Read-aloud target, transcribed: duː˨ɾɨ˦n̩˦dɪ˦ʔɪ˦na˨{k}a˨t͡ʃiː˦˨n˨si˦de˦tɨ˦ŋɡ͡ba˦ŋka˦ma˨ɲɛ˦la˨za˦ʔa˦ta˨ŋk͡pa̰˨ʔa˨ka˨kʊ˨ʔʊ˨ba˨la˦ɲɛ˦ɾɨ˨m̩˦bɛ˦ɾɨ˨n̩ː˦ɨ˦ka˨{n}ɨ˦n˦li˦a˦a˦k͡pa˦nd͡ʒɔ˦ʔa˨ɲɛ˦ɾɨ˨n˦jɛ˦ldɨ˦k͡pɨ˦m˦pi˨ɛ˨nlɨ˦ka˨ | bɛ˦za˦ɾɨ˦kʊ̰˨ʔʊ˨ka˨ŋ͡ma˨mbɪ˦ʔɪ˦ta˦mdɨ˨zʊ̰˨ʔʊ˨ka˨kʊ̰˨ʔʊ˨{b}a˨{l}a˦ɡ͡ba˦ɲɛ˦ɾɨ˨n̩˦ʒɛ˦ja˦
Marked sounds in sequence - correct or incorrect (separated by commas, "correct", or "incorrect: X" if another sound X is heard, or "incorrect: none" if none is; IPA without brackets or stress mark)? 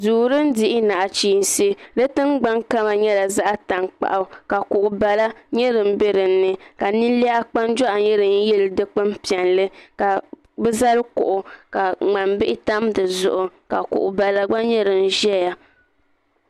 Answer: incorrect: ʔ, correct, correct, correct